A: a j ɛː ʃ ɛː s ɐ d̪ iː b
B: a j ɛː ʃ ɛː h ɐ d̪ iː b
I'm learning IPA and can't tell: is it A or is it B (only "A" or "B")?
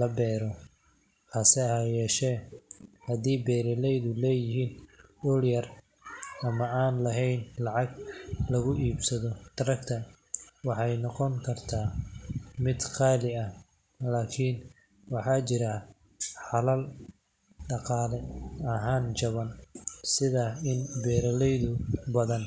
B